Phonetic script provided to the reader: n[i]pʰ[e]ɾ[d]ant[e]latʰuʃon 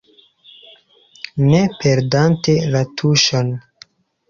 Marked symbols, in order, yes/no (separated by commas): no, yes, yes, yes